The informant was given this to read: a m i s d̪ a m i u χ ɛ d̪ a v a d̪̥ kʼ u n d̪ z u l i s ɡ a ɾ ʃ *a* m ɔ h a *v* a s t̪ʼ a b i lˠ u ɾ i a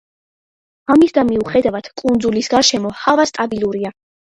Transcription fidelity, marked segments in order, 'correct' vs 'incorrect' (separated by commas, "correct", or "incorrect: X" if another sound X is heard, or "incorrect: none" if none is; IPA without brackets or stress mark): incorrect: ɛ, correct